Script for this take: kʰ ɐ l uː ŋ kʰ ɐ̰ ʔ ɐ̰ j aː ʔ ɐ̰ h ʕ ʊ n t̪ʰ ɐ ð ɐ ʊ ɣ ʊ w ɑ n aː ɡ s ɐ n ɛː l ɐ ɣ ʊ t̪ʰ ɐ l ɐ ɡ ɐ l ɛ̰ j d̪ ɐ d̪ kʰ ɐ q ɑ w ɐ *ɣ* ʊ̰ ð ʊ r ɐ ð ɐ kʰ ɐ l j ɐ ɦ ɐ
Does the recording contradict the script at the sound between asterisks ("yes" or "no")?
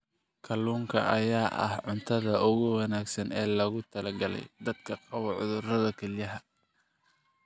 yes